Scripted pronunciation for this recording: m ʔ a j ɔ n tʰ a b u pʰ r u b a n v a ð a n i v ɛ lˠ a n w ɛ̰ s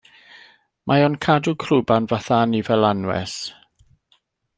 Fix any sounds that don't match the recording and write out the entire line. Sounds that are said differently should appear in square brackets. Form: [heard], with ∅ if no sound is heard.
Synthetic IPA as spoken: m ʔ a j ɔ n [kʰ] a [d] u [kʰ] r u b a n v a [θ] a n i v ɛ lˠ a n w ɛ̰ s